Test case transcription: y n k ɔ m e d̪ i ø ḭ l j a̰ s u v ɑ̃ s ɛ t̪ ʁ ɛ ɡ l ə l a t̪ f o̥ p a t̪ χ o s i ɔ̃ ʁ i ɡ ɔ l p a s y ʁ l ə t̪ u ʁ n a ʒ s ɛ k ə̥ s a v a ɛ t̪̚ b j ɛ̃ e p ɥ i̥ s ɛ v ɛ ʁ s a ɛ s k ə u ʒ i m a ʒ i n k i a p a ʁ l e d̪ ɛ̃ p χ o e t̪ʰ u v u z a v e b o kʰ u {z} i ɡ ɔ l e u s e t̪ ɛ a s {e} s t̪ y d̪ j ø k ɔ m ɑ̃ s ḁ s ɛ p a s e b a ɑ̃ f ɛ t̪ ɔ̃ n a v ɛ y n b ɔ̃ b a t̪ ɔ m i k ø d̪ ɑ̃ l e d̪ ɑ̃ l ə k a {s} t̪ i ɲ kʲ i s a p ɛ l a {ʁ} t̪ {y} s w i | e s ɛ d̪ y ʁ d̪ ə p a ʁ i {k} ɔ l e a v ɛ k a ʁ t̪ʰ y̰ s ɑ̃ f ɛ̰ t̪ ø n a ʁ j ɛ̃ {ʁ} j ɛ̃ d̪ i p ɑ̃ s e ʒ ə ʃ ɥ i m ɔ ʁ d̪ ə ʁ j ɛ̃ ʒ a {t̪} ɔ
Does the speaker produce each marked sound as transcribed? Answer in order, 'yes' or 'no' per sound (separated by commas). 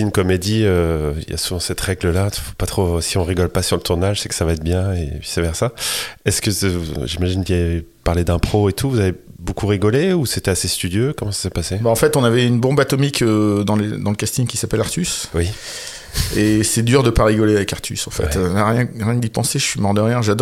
no, yes, yes, yes, yes, no, yes, no